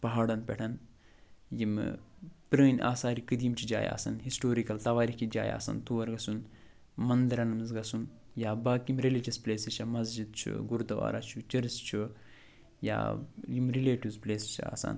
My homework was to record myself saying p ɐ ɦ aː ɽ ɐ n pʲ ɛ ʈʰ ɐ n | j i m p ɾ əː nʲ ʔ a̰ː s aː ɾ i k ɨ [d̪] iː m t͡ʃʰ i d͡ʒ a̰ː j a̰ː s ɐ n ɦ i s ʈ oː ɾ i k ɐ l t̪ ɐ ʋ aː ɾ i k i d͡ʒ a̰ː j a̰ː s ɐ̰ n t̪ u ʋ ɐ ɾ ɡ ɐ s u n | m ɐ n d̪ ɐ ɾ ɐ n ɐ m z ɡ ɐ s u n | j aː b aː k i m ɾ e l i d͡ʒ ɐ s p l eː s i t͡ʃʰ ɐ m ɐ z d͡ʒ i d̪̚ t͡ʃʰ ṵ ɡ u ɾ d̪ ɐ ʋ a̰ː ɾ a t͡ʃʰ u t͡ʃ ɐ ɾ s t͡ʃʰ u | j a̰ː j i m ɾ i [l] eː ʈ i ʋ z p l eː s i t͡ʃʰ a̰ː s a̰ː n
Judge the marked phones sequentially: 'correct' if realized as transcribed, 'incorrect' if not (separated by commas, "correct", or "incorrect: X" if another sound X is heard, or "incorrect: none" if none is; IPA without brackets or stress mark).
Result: correct, correct